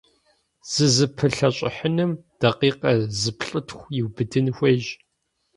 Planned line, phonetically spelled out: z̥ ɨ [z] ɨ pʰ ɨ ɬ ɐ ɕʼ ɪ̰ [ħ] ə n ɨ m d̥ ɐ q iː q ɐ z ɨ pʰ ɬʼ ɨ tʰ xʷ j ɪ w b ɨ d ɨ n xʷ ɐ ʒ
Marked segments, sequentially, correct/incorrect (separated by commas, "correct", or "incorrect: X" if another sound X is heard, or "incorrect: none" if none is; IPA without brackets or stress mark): correct, correct